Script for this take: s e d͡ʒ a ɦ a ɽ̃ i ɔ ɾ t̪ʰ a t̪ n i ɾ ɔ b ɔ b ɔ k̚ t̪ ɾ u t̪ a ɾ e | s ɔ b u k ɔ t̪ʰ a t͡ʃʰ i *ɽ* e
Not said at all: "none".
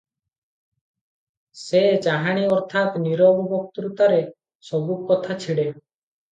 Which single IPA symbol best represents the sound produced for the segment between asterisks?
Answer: ɽ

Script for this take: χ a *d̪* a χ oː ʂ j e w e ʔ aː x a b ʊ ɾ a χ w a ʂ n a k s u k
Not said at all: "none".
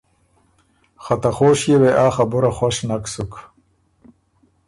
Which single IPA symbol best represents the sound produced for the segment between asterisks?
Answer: t̪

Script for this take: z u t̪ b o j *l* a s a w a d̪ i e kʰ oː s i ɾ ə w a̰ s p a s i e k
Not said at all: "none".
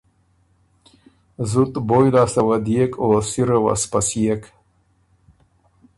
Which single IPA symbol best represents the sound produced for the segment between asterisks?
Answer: l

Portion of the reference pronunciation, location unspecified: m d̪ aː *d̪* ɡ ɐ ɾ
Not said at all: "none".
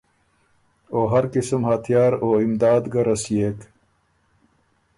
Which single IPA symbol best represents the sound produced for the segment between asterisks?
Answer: d̪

